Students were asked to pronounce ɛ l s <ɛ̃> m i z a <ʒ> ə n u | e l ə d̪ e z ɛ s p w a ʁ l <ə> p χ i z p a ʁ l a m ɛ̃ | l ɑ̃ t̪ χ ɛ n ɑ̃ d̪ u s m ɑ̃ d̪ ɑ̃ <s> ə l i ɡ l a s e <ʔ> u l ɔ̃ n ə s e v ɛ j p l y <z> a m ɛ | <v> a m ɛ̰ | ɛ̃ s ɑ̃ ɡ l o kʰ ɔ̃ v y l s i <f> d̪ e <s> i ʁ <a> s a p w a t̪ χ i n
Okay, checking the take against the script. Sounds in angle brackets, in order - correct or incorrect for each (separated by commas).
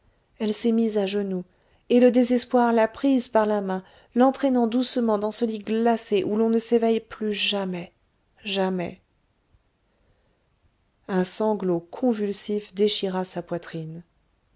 incorrect, correct, incorrect, correct, correct, incorrect, incorrect, correct, incorrect, correct